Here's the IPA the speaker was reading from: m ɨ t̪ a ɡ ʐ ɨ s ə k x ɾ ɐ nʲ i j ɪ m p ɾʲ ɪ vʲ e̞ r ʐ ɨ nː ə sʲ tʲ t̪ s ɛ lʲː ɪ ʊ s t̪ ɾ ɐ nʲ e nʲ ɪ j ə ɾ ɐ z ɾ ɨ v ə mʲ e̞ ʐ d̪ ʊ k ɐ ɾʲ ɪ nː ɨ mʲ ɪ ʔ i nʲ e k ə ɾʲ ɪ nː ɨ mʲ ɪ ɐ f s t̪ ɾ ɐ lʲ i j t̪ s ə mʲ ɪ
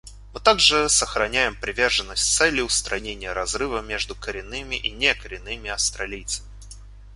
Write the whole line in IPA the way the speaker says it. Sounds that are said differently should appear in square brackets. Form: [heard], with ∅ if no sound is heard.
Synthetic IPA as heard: m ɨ t̪ a ɡ ʐ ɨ s ə [∅] x ɾ ɐ nʲ [æ] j ɪ m p ɾʲ ɪ vʲ e̞ r ʐ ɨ nː ə sʲ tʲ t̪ s ɛ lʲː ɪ ʊ s t̪ ɾ ɐ nʲ e nʲ ɪ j ə ɾ ɐ z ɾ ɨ v ə mʲ e̞ ʐ d̪ ʊ k [ə] ɾʲ ɪ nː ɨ mʲ ɪ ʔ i nʲ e k ə ɾʲ ɪ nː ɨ mʲ ɪ ɐ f s t̪ ɾ ɐ lʲ i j t̪ s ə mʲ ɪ